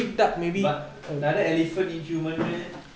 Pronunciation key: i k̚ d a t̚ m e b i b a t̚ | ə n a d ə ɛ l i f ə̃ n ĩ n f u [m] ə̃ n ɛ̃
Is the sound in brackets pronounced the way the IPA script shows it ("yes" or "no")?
yes